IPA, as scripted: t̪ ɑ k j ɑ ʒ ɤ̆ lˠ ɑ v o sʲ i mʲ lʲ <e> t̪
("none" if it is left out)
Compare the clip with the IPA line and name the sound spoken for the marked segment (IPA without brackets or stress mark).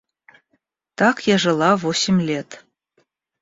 e